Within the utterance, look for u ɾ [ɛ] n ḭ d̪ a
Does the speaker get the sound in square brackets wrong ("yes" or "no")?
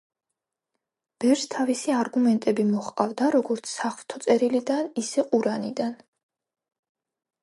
yes